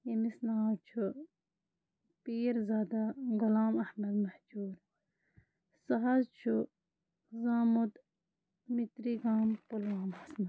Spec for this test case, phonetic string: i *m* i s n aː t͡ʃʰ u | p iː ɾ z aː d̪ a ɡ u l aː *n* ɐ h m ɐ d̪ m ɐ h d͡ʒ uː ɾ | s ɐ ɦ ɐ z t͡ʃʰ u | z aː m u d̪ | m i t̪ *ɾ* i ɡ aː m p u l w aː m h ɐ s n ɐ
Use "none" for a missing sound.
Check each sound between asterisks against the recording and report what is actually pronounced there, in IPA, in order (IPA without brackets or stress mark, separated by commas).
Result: m, m, ɾ